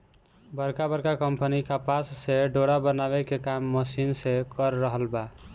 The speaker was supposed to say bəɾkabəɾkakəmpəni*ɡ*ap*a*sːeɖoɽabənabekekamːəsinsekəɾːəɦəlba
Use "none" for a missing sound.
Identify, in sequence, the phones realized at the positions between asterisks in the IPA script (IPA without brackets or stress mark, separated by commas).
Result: k, a